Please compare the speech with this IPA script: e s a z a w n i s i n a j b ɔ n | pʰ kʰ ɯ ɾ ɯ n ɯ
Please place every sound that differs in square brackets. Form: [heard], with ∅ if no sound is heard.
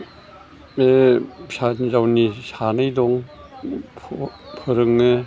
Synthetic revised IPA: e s a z a w n i s [a] n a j [d] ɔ [ŋ] | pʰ [pʰ] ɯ ɾ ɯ [ŋ] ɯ